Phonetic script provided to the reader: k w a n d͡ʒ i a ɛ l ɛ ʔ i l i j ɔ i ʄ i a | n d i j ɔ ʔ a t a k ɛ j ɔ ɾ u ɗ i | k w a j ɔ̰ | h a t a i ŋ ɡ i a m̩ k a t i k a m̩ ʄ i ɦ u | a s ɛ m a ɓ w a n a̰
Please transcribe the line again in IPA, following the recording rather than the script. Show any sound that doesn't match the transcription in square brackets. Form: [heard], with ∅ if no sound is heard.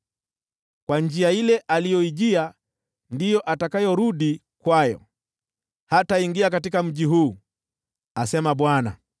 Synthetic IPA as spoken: k w a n d͡ʒ i a [i] l ɛ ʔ [a] l i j ɔ i ʄ i a | n d i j ɔ ʔ a t a k [a] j ɔ ɾ u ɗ i | k w a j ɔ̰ | h a t a i ŋ ɡ i a [∅] k a t i k a m̩ ʄ i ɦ [uː] | a s ɛ m a ɓ w a n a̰

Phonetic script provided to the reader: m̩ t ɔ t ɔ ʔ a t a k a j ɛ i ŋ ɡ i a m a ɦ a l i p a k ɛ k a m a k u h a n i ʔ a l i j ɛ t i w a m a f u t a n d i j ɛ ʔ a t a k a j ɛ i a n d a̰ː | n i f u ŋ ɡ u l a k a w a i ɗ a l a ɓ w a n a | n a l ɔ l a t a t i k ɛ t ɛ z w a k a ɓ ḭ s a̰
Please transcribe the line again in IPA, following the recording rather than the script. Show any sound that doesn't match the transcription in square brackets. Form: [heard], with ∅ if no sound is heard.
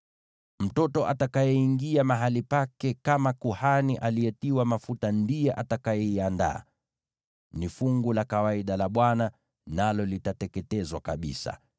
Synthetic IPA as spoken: m̩ t ɔ t ɔ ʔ a t a k a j ɛ i ŋ ɡ i a m a ɦ a l i p a k ɛ k a m a k u h a n i ʔ a l i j ɛ t i w a m a f u t a n d i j ɛ ʔ a t a k a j ɛ i a n d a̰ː | n i f u ŋ ɡ u l a k a w a i ɗ a l a ɓ w a n a | n a l ɔ l [i] t a t [ɛ] k ɛ t ɛ z w a k a ɓ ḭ s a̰

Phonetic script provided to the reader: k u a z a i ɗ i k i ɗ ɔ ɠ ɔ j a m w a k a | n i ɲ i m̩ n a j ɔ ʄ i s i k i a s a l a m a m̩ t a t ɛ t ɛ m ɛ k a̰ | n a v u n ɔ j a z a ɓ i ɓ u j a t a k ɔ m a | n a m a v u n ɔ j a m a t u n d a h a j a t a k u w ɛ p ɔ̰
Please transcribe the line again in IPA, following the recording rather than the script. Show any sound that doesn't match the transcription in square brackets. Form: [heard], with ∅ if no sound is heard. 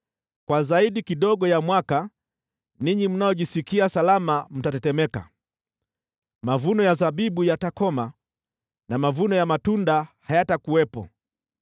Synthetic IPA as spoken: k [w] a z a i ɗ i k i ɗ ɔ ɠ ɔ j a m w a k a | n i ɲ i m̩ n a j ɔ ʄ i s i k i a s a l a m a m̩ t a t ɛ t ɛ m ɛ k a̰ | [m] a v u n ɔ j a z a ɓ i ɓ u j a t a k ɔ m a | n a m a v u n ɔ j a m a t u n d a h a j a t a k u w ɛ p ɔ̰

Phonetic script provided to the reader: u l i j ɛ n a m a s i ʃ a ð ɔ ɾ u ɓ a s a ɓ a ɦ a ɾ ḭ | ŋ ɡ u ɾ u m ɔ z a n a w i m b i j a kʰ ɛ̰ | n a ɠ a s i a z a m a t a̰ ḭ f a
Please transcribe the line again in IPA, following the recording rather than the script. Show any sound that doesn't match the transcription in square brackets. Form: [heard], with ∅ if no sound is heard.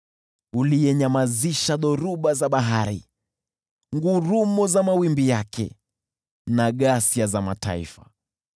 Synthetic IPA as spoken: u l i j ɛ [ɲ] a m a [z] i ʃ a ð ɔ ɾ u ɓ a [z] a ɓ a ɦ a ɾ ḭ | ŋ ɡ u ɾ u m ɔ z a [m] a w i m b i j a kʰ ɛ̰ | n a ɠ a s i a z a m a t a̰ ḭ f a

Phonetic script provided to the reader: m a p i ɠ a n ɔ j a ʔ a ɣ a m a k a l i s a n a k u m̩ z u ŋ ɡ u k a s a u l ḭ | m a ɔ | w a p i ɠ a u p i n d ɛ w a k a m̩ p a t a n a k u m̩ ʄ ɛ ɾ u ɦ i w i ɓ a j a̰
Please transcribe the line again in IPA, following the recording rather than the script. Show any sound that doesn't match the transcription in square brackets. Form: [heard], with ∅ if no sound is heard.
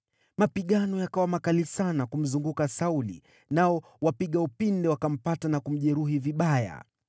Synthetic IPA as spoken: m a p i ɠ a n ɔ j a [k] a [w] a m a k a l i s a n a k u m̩ z u ŋ ɡ u k a s a u l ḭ | [n] a ɔ | w a p i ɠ a u p i n d ɛ w a k a m̩ p a t a n a k u m̩ ʄ ɛ ɾ u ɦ i [v] i ɓ a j a̰

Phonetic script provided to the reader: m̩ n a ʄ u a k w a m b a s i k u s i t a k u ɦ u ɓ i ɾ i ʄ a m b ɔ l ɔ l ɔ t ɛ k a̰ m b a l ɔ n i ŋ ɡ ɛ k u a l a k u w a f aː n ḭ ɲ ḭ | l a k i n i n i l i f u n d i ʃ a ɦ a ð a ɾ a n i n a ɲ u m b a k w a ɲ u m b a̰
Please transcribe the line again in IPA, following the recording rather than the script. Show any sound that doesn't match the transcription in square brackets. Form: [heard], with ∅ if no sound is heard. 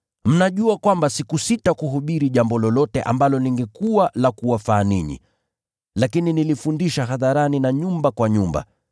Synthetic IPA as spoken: m̩ n a ʄ u a k w a m b a s i k u s i t a k u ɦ u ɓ i ɾ i ʄ a m b ɔ l ɔ l ɔ t ɛ [ʔ] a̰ m b a l ɔ n i ŋ ɡ ɛ k u a l a k u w a f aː n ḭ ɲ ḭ | l a k i n i n i l i f u n d i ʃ a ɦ a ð a ɾ a n i n a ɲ u m b a k w a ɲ u m b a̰

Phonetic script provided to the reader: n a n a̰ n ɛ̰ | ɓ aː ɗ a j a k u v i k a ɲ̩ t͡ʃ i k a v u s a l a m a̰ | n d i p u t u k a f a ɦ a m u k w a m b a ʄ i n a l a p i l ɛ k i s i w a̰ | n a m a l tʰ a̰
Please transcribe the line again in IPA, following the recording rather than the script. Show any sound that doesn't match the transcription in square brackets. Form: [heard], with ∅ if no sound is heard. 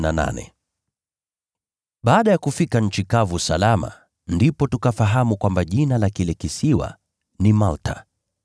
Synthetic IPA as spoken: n a n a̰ n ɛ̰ | ɓ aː ɗ a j a k u [f] i k a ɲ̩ t͡ʃ i k a v u s a l a m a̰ | n d i p [ɔ] t u k a f a ɦ a m u k w a m b a ʄ i n a l a [k] i l ɛ k i s i w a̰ | n [i] m a l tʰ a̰

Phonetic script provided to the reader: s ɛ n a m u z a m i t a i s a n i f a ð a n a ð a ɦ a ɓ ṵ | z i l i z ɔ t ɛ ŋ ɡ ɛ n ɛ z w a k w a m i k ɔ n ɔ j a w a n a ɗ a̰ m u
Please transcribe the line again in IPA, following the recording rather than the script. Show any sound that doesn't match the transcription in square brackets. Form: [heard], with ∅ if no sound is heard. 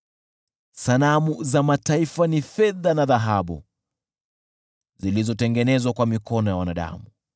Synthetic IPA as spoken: s [a] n a m u z a m [a] t a i [f] a n i f [ɛ] ð a n a ð a ɦ a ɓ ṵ | z i l i z ɔ t ɛ ŋ ɡ ɛ n ɛ z w a k w a m i k ɔ n ɔ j a w a n a ɗ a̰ m u

